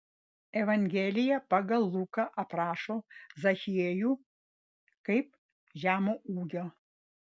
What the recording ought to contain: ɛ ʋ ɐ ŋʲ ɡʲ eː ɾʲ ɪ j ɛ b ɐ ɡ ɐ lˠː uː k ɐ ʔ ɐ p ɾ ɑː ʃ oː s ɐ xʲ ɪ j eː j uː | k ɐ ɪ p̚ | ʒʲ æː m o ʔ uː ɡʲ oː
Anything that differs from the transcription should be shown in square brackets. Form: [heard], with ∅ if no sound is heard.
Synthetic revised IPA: ɛ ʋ ɐ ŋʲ ɡʲ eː [lʲ] ɪ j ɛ [p] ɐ ɡ ɐ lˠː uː k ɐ ʔ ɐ p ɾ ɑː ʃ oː [z] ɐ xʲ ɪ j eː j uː | k ɐ ɪ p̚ | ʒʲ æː m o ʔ uː ɡʲ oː

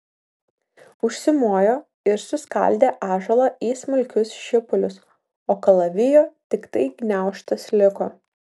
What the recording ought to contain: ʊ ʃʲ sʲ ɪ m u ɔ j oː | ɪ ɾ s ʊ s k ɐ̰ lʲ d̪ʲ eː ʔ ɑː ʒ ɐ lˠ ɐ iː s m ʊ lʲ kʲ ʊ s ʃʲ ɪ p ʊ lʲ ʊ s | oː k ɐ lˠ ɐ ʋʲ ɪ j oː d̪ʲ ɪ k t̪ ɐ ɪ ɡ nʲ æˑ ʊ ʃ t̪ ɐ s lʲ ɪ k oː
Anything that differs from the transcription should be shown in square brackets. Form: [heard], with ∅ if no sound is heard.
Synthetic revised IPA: ʊ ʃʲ sʲ ɪ m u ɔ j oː | ɪ ɾ s ʊ s k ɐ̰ lʲ d̪ʲ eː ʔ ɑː ʒ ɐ lˠ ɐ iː s m ʊ lʲ kʲ ʊ s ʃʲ ɪ p ʊ lʲ ʊ s | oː k ɐ lˠ ɐ ʋʲ ɪ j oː [t̪ʲ] ɪ k t̪ ɐ ɪ ɡ nʲ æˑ ʊ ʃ t̪ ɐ s lʲ ɪ k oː

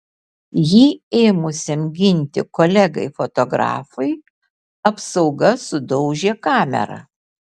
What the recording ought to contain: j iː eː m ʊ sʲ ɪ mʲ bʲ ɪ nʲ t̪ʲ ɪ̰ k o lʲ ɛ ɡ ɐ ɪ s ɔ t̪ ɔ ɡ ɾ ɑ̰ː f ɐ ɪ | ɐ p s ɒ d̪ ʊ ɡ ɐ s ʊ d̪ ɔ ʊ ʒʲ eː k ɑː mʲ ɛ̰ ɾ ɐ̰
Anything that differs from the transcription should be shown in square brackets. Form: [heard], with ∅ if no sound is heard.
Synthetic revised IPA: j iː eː m ʊ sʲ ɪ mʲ [ɡʲ] ɪ nʲ t̪ʲ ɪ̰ k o lʲ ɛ ɡ ɐ ɪ [f] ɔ t̪ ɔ ɡ ɾ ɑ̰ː f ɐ ɪ | ɐ p s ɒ [∅] ʊ ɡ ɐ s ʊ d̪ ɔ ʊ ʒʲ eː k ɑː mʲ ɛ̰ ɾ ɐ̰

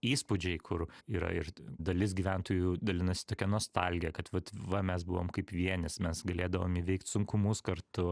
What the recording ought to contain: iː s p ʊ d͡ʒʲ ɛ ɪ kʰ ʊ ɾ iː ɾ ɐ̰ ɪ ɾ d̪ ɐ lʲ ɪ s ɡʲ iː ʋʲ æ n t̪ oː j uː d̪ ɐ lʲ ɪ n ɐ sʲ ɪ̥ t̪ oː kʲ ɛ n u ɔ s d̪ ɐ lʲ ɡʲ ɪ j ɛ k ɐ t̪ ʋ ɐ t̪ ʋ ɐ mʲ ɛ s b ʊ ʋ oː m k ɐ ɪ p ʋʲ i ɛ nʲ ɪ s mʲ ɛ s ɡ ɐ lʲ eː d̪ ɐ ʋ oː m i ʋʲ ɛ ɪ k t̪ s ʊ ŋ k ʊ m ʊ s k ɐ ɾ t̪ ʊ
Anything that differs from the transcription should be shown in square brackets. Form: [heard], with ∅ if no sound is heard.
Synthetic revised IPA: iː s p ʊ d͡ʒʲ ɛ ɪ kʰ ʊ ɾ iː ɾ ɐ̰ ɪ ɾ d̪ ɐ lʲ ɪ s ɡʲ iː ʋʲ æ n t̪ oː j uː d̪ ɐ lʲ ɪ n ɐ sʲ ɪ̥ t̪ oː kʲ ɛ n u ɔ s [t̪] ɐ lʲ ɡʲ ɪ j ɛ k ɐ t̪ ʋ ɐ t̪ ʋ ɐ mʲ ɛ s b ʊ ʋ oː m k ɐ ɪ p ʋʲ i ɛ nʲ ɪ s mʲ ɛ s ɡ ɐ lʲ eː d̪ ɐ ʋ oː m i ʋʲ ɛ ɪ k t̪ s ʊ ŋ k ʊ m ʊ s k ɐ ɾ t̪ ʊ

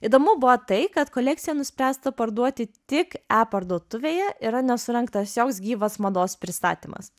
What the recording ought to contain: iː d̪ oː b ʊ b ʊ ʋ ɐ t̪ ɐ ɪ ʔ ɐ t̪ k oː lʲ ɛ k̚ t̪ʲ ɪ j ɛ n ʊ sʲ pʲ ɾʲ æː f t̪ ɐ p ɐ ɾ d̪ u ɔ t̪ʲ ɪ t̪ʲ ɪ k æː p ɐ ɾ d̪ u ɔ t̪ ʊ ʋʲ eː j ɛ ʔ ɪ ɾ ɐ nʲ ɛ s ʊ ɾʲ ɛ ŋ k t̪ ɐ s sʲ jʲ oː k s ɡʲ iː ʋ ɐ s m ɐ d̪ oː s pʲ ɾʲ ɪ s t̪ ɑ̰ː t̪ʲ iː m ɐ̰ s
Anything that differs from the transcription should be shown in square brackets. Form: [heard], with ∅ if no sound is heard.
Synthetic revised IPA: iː d̪ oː [m] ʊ b ʊ ʋ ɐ t̪ ɐ ɪ [k] ɐ t̪ k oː lʲ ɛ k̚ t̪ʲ ɪ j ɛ n ʊ sʲ pʲ ɾʲ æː [s] t̪ ɐ p ɐ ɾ d̪ u ɔ t̪ʲ ɪ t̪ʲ ɪ k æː p ɐ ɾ d̪ u ɔ t̪ ʊ ʋʲ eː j ɛ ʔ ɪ ɾ ɐ nʲ ɛ s ʊ ɾʲ ɛ ŋ k t̪ ɐ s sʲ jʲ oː k s ɡʲ iː ʋ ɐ s m ɐ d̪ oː s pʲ ɾʲ ɪ s t̪ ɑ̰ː t̪ʲ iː m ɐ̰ s

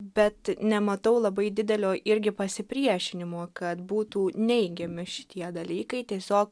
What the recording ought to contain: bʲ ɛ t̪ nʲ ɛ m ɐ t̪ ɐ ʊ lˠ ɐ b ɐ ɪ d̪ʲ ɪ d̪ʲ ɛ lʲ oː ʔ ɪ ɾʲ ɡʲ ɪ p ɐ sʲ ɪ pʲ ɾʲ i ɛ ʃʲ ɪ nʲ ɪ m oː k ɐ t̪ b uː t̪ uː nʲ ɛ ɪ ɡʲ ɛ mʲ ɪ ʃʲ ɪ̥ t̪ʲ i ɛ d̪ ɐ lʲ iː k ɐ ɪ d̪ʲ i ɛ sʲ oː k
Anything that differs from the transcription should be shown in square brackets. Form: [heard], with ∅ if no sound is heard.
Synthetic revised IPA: bʲ ɛ t̪ nʲ ɛ m ɐ t̪ ɐ ʊ lˠ ɐ b ɐ ɪ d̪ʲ ɪ d̪ʲ ɛ lʲ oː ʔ ɪ ɾʲ ɡʲ ɪ p ɐ sʲ ɪ pʲ ɾʲ i ɛ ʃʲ ɪ nʲ ɪ m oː k ɐ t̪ b uː t̪ uː nʲ ɛ ɪ ɡʲ ɛ mʲ ɪ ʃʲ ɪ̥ t̪ʲ i ɛ d̪ ɐ lʲ iː k ɐ ɪ [t̪ʲ] i ɛ sʲ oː k

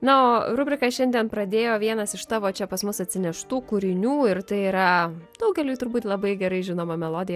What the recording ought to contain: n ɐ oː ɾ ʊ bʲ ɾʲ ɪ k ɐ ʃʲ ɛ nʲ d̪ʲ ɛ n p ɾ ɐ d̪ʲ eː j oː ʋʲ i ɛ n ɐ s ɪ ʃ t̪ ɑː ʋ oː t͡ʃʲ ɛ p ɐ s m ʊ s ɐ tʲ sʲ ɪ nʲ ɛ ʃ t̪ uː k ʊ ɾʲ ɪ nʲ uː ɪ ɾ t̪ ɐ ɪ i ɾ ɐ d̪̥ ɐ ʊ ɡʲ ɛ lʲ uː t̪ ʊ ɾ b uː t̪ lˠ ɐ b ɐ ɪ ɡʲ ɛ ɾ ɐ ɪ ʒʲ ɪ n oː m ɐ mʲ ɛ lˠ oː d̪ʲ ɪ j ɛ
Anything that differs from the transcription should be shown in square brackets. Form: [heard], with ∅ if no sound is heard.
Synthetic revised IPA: n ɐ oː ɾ ʊ bʲ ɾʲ ɪ k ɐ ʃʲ ɛ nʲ d̪ʲ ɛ n p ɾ ɐ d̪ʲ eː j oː ʋʲ i ɛ n ɐ s ɪ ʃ t̪ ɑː ʋ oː t͡ʃʲ ɛ p ɐ s m ʊ s ɐ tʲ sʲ ɪ nʲ ɛ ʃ t̪ uː k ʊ ɾʲ ɪ nʲ uː ɪ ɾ t̪ ɐ ɪ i ɾ ɐ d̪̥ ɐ ʊ ɡʲ ɛ lʲ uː t̪ ʊ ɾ b uː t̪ lˠ ɐ b ɐ ɪ ɡʲ ɛ ɾ ɐ ɪ ʒʲ ɪ n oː m ɐ mʲ ɛ lˠ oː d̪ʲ ɪ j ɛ

